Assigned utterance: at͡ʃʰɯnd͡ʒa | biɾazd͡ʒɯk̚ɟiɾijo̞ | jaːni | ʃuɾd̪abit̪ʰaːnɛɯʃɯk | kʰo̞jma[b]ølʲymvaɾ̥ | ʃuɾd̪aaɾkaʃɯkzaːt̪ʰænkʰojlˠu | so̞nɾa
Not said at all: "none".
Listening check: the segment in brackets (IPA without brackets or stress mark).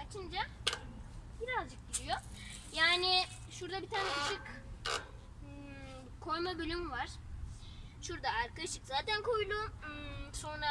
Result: b